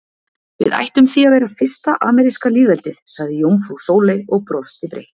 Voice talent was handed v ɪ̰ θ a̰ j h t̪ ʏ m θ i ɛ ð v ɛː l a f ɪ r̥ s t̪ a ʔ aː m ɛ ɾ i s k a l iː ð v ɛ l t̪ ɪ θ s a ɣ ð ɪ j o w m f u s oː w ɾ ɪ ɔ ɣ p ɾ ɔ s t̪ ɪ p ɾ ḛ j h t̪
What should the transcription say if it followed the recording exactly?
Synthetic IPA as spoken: v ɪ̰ ð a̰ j h t̪ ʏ m θ i a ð v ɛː ɾ a f ɪ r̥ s t̪ a ʔ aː m ɛ ɾ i s k a l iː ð v ɛ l t̪ ɪ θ s a ɣ ð ɪ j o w m f u s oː w l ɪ ɔ ɣ p ɾ ɔ s t̪ ɪ p ɾ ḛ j h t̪